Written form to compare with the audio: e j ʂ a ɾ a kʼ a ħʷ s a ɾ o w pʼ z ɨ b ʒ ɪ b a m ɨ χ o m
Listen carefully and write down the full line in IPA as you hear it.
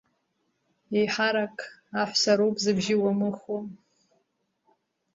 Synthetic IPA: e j ħ a ɾ a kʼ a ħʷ s a ɾ o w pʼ z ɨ b ʒ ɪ w a m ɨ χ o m